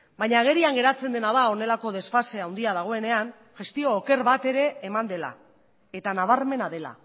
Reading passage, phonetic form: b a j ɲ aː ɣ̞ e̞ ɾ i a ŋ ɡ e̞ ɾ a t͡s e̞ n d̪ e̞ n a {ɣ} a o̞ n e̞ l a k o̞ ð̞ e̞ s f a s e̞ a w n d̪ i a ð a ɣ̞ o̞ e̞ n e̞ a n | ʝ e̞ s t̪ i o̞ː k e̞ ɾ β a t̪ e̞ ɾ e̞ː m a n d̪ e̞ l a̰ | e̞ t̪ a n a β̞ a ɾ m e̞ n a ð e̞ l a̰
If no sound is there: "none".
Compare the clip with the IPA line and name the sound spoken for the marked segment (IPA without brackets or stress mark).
ð